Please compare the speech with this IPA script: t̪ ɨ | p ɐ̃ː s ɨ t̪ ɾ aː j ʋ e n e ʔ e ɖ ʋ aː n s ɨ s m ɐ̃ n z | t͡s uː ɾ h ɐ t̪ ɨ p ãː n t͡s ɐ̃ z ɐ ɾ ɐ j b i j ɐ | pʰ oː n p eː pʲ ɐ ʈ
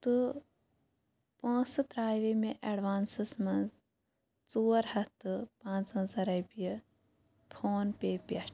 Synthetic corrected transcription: t̪ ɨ | p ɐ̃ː s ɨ t̪ ɾ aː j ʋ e m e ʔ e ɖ ʋ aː n s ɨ s m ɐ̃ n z | t͡s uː ɾ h ɐ t̪ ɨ p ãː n t͡s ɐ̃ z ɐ ɾ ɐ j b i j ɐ | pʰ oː n p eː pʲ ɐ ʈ